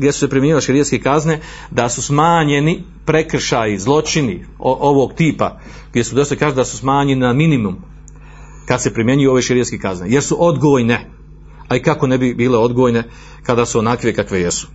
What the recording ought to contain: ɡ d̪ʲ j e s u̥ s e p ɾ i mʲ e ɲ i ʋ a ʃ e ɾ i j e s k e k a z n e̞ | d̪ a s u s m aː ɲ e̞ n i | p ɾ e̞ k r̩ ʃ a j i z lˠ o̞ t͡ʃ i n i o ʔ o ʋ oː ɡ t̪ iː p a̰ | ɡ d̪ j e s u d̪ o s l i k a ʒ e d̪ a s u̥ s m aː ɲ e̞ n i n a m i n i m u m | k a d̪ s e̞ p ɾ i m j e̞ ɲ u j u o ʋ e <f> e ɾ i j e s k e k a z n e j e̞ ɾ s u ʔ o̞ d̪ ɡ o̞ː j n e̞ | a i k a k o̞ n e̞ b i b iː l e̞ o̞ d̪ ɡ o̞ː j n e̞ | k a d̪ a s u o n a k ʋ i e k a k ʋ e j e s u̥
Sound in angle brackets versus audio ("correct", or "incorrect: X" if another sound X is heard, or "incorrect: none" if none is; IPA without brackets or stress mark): incorrect: ʃ